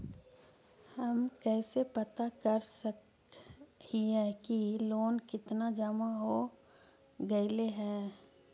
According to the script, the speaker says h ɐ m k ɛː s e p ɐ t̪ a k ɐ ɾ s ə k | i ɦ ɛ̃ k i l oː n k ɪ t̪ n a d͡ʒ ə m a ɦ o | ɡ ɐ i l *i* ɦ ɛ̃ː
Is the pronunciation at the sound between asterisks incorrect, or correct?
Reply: incorrect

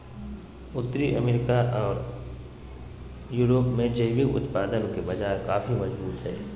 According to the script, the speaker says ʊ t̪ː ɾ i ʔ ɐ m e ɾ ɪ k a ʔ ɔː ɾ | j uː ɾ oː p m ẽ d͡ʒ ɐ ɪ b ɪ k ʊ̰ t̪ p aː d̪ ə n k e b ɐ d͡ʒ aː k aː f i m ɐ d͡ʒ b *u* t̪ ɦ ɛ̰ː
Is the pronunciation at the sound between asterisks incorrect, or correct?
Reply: incorrect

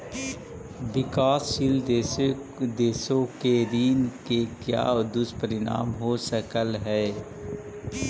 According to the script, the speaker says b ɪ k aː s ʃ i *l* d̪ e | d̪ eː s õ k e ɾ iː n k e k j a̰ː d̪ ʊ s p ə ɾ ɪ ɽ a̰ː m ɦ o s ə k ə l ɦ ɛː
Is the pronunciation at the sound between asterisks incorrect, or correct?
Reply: correct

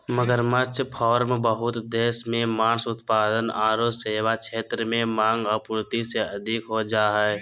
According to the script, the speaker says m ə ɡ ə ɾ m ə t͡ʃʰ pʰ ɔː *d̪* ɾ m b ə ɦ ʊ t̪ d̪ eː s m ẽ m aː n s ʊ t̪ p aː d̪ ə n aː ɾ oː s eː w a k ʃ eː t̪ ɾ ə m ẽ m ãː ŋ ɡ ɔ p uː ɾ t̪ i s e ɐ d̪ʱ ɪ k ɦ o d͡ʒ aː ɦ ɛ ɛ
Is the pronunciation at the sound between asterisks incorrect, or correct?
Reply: incorrect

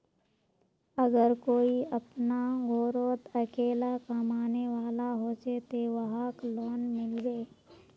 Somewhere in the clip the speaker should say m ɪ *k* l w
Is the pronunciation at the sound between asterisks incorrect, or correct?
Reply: incorrect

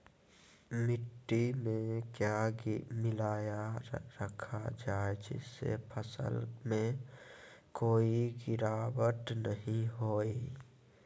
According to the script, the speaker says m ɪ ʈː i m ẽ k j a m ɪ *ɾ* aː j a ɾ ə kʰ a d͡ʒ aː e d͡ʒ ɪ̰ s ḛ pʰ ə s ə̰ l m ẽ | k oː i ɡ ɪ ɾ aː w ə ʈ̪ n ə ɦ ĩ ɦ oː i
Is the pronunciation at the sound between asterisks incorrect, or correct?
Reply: incorrect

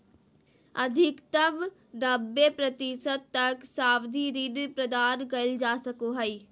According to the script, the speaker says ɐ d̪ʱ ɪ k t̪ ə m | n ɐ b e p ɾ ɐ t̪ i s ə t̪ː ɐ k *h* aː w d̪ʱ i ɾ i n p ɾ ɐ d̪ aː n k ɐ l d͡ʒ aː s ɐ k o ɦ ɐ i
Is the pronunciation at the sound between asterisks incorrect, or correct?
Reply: incorrect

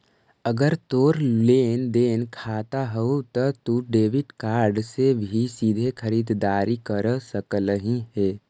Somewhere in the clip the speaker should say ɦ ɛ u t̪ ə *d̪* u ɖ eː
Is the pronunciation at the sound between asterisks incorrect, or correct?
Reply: incorrect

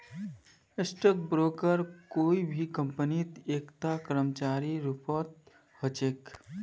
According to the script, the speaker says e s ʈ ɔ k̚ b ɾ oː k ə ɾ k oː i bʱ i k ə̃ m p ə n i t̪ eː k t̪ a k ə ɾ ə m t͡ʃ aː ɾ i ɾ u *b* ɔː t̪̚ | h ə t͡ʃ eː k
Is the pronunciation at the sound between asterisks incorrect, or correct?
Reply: incorrect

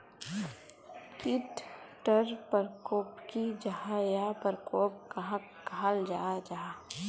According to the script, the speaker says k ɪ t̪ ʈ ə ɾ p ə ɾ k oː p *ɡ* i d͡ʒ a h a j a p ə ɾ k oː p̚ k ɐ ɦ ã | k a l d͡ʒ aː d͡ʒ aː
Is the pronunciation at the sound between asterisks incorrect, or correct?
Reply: incorrect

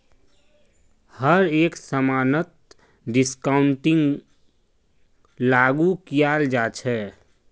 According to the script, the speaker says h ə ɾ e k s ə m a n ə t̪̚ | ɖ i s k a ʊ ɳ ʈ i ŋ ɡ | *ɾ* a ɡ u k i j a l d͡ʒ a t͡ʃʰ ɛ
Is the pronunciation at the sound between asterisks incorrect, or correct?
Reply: incorrect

